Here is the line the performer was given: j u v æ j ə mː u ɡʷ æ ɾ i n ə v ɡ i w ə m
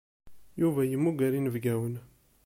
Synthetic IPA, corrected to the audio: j u v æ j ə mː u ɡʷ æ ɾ i n ə v ɡ æ w ə n